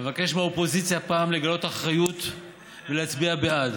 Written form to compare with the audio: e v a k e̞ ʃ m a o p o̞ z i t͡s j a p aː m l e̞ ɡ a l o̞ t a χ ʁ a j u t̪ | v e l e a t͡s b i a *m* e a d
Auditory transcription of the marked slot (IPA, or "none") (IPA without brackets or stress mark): b